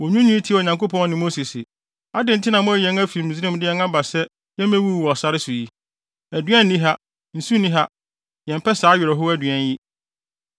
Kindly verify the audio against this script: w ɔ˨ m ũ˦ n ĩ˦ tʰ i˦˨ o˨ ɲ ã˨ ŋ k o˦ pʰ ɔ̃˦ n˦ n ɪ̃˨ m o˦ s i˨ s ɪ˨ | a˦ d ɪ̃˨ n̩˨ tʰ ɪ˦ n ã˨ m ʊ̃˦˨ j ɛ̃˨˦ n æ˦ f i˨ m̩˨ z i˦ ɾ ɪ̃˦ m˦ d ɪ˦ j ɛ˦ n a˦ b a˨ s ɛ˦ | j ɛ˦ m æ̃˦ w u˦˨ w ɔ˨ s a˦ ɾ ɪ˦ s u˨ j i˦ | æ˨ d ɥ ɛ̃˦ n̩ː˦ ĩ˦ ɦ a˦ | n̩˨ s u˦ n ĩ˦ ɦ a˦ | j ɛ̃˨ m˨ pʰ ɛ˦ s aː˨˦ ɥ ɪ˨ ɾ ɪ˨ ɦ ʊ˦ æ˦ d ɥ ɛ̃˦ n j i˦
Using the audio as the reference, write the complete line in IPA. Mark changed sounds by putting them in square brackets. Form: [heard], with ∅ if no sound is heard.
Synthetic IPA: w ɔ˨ [ɲ] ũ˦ n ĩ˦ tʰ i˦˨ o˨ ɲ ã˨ ŋ k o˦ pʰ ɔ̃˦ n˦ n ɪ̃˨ m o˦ s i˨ s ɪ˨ | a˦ d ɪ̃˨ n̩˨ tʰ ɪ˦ n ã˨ m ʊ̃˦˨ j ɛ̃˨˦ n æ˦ f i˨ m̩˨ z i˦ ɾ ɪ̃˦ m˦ d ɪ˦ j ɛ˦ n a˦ b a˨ s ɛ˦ | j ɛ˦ m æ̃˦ w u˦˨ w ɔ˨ s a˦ ɾ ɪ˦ s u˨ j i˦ | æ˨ d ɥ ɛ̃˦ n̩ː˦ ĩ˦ ɦ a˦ | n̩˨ s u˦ n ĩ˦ ɦ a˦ | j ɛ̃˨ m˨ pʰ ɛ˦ s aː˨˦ ɥ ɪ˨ ɾ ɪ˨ ɦ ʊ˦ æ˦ d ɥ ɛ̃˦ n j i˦